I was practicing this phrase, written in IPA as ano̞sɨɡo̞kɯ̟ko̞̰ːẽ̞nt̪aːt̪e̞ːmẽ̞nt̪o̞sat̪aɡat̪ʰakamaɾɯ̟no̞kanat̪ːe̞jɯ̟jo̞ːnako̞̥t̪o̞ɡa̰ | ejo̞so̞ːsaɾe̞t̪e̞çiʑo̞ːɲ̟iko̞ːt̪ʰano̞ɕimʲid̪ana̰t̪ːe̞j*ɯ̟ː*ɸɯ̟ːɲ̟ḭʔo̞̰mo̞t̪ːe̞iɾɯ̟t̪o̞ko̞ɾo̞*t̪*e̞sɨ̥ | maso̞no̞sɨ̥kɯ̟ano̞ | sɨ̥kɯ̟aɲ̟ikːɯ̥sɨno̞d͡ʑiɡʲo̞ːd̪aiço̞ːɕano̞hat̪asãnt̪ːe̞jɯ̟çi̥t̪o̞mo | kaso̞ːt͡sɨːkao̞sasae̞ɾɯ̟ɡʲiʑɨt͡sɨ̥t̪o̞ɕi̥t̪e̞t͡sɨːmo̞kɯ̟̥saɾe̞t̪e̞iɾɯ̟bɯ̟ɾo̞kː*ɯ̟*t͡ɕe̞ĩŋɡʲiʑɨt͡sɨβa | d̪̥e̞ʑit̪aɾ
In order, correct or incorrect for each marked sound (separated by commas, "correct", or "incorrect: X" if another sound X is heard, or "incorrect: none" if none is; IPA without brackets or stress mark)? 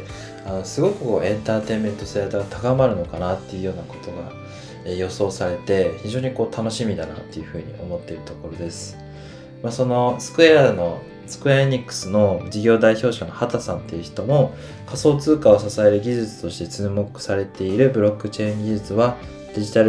incorrect: ɯ̟, incorrect: d̪, correct